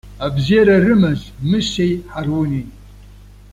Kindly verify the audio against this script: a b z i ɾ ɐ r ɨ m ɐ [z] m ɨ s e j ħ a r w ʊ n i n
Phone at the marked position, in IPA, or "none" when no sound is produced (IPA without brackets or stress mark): z